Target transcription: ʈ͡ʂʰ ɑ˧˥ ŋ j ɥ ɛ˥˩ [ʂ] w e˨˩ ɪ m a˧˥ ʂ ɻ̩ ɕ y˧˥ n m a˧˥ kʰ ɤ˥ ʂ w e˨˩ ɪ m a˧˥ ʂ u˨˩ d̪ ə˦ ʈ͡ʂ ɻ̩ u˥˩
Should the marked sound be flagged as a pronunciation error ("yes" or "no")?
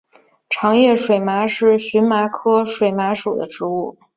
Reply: no